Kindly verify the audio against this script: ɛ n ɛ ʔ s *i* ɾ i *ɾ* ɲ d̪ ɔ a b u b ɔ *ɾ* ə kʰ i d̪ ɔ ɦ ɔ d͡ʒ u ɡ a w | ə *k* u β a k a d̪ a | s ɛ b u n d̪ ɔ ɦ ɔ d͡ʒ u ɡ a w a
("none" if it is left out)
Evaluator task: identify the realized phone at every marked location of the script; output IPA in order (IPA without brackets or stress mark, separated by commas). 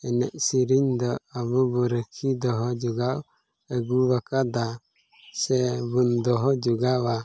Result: i, none, ɾ, ɡ